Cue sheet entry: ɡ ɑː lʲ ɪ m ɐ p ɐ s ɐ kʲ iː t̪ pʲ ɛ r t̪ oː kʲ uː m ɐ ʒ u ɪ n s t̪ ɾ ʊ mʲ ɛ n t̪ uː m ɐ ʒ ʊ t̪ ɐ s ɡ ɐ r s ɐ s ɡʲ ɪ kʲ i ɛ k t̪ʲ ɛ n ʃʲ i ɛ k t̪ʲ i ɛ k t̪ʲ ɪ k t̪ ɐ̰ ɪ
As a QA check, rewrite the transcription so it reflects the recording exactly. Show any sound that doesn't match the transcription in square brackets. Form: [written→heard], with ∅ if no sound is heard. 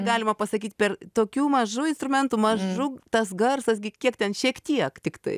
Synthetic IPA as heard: ɡ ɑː lʲ ɪ m ɐ p ɐ s ɐ kʲ iː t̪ pʲ ɛ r t̪ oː kʲ uː m ɐ ʒ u ɪ n s t̪ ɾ ʊ mʲ ɛ n t̪ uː m ɐ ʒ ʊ t̪ ɐ s ɡ ɐ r s ɐ s ɡʲ ɪ kʲ i ɛ k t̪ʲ ɛ n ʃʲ i ɛ k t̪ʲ i ɛ k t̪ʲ ɪ k t̪ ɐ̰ ɪ